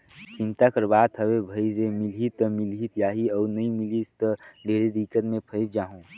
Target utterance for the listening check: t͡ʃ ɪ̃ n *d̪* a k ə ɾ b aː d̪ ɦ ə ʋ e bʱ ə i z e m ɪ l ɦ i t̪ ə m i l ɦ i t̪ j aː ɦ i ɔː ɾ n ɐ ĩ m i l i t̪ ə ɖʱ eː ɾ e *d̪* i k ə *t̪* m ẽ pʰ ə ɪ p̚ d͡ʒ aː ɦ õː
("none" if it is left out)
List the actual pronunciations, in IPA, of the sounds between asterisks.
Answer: t̪, d̪, t̪

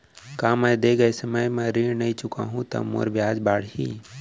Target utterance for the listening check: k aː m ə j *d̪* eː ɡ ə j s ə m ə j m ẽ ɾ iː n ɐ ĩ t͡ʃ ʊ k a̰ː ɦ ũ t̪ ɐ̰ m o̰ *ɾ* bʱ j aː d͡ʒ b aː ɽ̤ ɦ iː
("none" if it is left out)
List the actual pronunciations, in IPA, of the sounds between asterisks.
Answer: d̪, ɾ

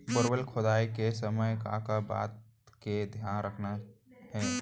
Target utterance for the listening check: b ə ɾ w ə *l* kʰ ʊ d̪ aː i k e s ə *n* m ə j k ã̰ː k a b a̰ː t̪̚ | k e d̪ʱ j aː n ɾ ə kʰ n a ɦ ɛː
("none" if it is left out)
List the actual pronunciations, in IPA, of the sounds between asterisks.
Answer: l, none

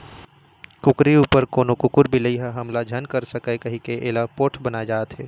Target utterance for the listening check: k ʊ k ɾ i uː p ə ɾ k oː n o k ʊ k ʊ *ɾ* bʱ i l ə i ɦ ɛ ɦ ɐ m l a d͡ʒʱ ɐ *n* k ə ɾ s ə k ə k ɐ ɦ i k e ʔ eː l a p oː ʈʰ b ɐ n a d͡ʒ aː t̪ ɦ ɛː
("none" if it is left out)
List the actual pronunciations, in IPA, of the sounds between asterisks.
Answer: ɾ, n

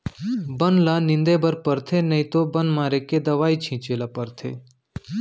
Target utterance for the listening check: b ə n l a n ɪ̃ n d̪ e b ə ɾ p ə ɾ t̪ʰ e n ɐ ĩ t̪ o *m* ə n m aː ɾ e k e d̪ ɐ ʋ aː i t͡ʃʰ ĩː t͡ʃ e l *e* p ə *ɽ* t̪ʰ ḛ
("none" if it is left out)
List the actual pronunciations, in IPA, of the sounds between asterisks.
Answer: b, a, ɾ

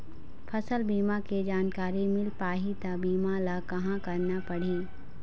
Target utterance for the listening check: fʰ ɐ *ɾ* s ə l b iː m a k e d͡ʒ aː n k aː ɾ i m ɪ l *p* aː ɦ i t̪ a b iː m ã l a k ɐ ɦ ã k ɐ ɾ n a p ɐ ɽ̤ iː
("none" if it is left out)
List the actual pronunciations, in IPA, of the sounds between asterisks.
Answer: none, p

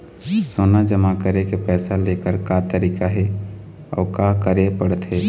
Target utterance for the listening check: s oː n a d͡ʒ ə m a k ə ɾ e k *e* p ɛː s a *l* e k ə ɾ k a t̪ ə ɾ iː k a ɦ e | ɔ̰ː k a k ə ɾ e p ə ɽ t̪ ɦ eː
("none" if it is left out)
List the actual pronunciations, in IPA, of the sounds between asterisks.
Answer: e, l

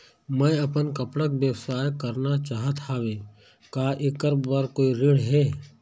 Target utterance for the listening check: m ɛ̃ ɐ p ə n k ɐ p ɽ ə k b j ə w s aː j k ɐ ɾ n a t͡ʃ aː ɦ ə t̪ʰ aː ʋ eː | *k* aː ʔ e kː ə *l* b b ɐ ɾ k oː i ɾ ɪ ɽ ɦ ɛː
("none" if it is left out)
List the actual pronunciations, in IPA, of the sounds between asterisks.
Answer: k, ɾ

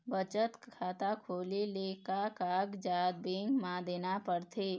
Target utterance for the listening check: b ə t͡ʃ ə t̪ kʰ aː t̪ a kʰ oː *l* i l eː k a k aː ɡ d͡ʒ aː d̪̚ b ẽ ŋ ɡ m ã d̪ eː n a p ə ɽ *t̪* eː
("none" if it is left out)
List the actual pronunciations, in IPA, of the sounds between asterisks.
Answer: l, t̪ʰ

